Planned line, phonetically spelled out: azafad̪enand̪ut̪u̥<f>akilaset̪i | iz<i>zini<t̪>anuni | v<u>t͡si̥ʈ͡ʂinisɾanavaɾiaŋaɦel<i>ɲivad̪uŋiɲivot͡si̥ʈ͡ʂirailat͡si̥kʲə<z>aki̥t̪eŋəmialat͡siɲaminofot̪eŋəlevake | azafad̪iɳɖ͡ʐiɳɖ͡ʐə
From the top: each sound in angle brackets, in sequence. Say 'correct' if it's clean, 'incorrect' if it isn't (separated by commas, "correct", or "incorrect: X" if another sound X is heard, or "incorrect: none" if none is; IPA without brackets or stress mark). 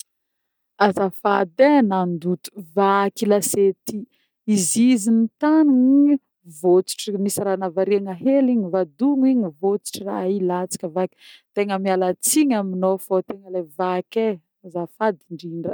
incorrect: v, correct, correct, incorrect: o, correct, incorrect: v